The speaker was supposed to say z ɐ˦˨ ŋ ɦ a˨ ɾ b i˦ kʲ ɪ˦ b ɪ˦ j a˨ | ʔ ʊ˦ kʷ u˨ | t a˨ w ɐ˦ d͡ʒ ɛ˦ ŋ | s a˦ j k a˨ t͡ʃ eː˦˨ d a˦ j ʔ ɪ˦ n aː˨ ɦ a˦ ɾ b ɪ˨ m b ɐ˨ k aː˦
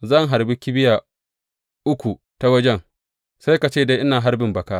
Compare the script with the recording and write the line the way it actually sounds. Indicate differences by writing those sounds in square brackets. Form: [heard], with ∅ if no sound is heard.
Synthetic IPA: z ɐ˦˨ ŋ ɦ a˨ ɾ b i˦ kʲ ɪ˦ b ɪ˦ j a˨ | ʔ ʊ˦ kʷ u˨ | t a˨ w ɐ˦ d͡ʒ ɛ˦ ŋ | s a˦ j k a˨ t͡ʃ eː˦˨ d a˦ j ʔ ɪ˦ n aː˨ ɦ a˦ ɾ b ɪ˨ m b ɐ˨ k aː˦